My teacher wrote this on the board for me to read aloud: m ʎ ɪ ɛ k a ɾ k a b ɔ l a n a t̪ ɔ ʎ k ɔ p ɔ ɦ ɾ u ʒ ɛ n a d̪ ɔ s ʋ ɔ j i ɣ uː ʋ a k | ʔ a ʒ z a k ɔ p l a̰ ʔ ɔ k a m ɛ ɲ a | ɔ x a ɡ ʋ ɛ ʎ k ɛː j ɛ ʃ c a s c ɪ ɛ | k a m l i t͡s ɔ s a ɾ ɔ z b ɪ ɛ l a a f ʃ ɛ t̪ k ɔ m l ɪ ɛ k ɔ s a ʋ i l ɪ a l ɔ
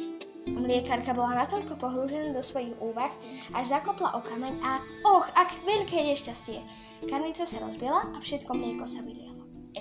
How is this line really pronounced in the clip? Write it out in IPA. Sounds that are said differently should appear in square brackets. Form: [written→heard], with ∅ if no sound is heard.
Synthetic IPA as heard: m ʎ ɪ ɛ k a ɾ k a b ɔ l a n a t̪ ɔ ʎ k ɔ p ɔ ɦ ɾ u ʒ ɛ n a d̪ ɔ s ʋ ɔ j i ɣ uː ʋ a [k→x] | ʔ a ʒ z a k ɔ p l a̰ ʔ ɔ k a m ɛ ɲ a | ɔ x a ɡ ʋ ɛ ʎ k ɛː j ɛ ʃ c a s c ɪ ɛ | k a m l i t͡s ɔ s a ɾ ɔ z b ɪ ɛ l a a f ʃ ɛ t̪ k ɔ m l ɪ ɛ k ɔ s a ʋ i l ɪ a l ɔ